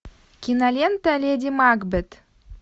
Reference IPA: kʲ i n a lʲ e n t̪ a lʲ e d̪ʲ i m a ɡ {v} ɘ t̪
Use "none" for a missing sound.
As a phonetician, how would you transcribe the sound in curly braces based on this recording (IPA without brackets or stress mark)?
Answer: b